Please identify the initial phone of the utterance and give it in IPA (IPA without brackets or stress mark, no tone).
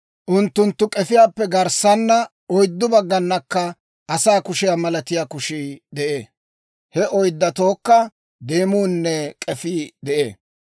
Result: ʔ